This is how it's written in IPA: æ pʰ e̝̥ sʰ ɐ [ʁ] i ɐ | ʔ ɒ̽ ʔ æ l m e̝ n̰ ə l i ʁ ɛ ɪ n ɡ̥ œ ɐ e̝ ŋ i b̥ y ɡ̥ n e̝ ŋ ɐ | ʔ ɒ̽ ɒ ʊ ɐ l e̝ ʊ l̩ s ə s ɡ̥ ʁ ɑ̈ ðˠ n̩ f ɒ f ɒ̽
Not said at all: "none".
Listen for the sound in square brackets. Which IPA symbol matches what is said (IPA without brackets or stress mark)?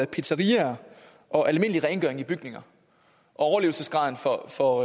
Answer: ʁ